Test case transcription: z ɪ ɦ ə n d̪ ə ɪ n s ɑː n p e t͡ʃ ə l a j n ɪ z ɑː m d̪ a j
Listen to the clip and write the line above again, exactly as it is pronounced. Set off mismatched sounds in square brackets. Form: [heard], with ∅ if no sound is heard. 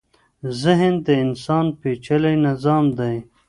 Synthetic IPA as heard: z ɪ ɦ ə n d̪ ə ɪ n s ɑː n p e t͡ʃ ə l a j n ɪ z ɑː m d̪ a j